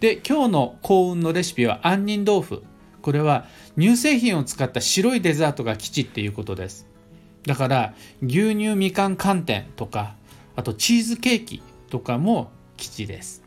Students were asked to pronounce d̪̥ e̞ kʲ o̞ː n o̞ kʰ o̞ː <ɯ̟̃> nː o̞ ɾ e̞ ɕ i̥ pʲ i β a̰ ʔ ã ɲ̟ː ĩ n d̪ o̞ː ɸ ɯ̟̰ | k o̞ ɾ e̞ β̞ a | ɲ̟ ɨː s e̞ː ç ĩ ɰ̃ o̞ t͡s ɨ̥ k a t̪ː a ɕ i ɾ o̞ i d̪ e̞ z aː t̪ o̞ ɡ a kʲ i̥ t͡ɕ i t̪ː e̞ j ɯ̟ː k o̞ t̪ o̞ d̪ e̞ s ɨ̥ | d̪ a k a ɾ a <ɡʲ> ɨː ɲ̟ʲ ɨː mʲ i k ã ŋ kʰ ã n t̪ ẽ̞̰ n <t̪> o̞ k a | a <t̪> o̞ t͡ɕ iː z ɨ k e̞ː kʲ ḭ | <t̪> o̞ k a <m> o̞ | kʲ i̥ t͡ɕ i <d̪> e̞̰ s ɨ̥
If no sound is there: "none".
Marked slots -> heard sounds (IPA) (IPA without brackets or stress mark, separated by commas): ɯ̟̃, ɡʲ, t̪, t̪, t̪, m, d̪